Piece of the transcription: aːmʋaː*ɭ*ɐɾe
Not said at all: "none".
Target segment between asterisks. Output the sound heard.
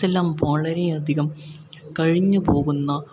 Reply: ɭ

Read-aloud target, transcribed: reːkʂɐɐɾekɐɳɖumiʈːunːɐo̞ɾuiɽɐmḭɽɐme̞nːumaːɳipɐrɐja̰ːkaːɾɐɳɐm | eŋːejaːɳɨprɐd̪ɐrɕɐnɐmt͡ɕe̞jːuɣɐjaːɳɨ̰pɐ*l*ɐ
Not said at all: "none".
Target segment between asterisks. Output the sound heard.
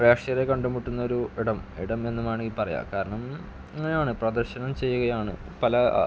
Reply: l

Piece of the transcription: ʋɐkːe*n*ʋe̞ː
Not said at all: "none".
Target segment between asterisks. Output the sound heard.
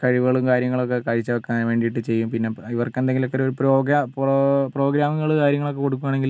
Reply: n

